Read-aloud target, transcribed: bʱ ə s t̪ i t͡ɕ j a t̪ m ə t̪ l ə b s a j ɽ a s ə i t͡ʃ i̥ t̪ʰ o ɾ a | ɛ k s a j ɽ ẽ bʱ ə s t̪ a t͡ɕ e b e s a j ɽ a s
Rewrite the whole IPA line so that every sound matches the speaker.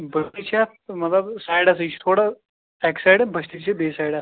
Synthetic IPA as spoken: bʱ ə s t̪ i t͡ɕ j a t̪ m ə t̪ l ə b s a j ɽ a s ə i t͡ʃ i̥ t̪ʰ o ɽ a | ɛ k s a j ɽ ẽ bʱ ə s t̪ i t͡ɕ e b e s a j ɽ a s